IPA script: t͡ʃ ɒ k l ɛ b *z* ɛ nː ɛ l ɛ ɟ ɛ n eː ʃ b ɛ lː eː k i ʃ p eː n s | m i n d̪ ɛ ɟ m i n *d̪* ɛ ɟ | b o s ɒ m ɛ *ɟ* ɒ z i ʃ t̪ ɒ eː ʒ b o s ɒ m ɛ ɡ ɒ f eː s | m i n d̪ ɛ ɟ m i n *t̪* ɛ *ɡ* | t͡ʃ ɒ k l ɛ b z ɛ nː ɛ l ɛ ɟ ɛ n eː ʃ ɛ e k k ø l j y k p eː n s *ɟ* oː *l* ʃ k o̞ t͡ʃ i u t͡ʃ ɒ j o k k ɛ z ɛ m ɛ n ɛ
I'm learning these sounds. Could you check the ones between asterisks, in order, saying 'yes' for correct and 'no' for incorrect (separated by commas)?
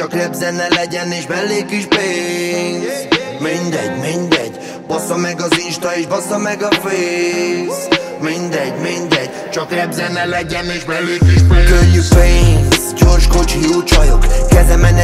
yes, yes, no, no, no, yes, no